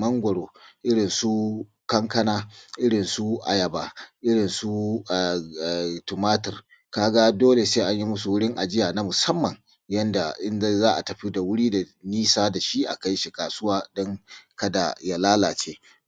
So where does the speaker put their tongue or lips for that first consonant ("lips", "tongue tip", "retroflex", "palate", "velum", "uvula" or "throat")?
lips